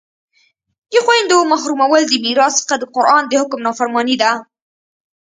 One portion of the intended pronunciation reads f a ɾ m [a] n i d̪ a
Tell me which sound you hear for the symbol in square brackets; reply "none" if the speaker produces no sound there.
ɑ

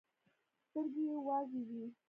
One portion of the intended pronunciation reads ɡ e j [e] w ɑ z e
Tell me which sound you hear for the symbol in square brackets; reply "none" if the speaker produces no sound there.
e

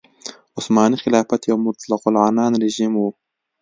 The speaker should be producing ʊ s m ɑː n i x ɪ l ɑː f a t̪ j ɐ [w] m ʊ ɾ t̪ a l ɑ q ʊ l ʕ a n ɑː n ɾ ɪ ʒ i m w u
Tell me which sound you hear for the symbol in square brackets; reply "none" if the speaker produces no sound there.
w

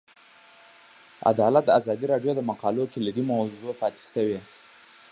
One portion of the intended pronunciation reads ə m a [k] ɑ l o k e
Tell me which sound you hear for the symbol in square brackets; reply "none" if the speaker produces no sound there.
q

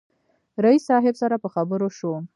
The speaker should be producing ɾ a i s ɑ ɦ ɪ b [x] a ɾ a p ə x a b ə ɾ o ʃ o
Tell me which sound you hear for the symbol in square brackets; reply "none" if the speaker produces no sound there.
s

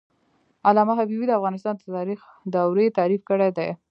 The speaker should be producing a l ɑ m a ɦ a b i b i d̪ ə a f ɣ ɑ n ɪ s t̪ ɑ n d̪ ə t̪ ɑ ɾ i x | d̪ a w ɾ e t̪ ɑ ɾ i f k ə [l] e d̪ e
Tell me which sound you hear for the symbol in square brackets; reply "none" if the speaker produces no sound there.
ɽ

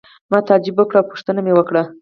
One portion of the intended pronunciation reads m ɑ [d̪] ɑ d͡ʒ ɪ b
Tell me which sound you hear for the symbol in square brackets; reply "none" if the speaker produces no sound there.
t̪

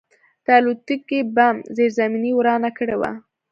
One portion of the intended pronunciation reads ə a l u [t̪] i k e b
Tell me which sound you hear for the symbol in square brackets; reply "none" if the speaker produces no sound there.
t̪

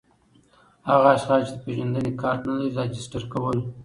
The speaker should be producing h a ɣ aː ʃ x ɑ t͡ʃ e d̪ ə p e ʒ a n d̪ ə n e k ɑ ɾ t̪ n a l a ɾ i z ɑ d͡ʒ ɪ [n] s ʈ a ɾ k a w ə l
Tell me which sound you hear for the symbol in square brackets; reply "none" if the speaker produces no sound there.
none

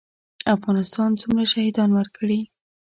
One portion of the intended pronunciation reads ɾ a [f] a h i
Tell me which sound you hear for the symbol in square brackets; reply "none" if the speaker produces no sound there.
ʃ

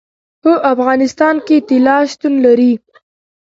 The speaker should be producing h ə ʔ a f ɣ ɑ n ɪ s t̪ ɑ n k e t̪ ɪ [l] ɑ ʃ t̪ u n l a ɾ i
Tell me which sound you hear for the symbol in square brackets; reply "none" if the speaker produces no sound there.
l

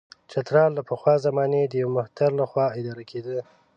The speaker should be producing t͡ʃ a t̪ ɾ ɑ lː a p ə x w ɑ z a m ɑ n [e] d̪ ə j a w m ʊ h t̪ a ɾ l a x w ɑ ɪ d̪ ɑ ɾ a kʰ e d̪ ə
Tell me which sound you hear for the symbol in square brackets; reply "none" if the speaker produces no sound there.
e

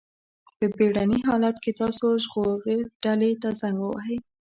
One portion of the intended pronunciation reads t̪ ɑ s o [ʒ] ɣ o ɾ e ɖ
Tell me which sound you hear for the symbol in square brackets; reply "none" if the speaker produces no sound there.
ʒ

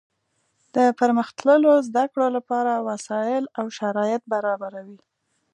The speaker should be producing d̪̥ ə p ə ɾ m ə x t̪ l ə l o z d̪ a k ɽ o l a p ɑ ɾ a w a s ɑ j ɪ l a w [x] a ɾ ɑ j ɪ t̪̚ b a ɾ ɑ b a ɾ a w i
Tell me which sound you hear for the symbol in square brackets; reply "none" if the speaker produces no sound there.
ʃ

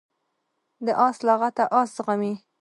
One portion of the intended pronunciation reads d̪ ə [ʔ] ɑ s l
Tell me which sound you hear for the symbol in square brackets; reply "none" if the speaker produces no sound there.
ʔ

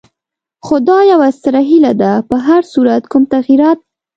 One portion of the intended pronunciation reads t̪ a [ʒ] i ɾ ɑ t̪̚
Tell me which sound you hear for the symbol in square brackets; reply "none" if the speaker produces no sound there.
ɣ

